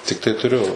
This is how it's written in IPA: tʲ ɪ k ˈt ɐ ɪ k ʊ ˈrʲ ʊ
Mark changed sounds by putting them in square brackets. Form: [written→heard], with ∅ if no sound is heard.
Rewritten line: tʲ ɪ k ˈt ɐ ɪ [k→t] ʊ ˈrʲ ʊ